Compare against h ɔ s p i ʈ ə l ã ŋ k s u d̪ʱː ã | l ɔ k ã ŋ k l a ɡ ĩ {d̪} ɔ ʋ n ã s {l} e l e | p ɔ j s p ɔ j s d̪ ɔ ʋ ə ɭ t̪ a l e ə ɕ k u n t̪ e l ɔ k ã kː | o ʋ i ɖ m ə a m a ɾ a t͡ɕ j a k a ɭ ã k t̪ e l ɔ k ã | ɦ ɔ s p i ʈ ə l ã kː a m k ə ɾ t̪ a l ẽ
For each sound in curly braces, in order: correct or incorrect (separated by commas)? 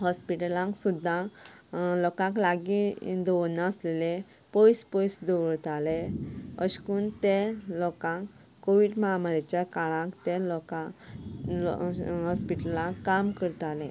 correct, correct